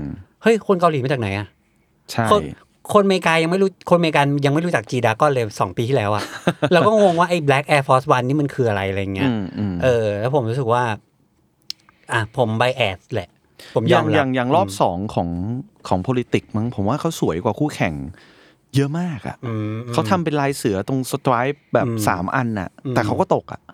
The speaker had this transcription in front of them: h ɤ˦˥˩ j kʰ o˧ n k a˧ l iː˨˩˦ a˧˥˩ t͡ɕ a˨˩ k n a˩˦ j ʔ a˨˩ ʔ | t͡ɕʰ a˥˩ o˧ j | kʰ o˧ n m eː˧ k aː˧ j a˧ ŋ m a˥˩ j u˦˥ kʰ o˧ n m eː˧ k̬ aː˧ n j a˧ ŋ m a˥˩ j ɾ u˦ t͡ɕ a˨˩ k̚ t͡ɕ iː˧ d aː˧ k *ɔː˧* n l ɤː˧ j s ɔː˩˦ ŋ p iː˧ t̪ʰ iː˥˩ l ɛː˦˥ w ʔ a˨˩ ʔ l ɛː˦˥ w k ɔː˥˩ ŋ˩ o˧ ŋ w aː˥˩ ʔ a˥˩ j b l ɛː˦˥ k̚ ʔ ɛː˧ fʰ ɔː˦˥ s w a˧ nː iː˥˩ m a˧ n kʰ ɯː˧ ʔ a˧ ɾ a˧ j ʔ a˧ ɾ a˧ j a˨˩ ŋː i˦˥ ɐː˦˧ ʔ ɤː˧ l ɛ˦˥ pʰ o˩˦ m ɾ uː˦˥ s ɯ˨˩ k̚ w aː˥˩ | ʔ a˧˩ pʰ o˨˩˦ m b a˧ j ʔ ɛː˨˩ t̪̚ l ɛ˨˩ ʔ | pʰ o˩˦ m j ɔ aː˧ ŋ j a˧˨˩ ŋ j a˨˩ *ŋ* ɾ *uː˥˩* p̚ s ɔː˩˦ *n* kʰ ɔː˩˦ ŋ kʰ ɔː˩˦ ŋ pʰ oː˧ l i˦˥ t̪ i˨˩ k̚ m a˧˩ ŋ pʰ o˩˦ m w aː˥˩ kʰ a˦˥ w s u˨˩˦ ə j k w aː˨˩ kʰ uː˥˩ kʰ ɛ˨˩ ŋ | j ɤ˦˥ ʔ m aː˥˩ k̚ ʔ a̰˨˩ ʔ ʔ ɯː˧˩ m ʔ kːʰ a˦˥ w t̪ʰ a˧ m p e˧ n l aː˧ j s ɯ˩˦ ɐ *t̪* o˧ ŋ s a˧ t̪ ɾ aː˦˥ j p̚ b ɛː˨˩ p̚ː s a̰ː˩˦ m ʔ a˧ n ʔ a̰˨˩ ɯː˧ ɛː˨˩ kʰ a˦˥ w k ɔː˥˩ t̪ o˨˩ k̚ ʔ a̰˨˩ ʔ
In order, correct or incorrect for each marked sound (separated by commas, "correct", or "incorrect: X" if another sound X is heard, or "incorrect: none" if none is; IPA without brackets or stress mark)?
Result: incorrect: ɔː˥˩, correct, incorrect: ɔː˥˩, incorrect: ŋ, correct